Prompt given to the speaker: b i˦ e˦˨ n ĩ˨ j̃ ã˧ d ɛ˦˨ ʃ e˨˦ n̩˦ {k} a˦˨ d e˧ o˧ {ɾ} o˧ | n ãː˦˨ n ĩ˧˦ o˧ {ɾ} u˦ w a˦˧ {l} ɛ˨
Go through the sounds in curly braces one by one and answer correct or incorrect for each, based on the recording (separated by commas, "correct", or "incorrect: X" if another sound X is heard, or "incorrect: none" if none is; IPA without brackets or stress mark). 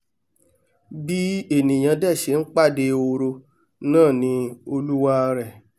incorrect: k͡p, correct, incorrect: l, incorrect: ɾ